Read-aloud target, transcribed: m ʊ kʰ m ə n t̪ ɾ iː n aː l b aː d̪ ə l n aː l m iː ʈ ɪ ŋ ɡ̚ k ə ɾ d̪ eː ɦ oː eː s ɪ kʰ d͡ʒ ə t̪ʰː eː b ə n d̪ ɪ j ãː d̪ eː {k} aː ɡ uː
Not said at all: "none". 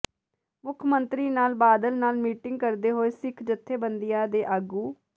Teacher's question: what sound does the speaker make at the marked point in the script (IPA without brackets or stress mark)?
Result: ʔ